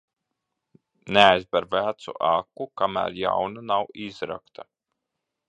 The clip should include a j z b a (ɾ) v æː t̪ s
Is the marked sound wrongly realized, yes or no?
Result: no